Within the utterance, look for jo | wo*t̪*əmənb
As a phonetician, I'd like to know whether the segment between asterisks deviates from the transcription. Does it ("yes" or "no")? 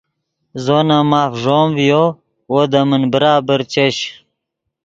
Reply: yes